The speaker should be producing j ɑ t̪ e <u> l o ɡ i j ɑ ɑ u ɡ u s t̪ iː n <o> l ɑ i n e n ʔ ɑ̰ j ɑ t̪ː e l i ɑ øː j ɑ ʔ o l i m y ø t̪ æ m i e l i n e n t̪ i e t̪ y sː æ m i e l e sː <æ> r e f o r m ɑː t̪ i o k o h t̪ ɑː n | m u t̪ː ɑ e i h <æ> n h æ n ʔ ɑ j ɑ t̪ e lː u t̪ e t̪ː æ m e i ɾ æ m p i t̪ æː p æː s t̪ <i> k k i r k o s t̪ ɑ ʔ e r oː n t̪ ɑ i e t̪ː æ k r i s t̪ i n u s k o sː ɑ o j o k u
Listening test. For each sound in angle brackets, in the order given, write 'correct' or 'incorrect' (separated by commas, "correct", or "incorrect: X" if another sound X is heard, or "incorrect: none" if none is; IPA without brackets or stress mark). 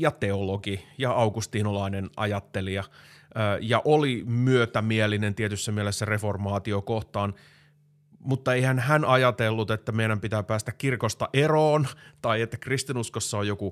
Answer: incorrect: o, correct, correct, correct, incorrect: æ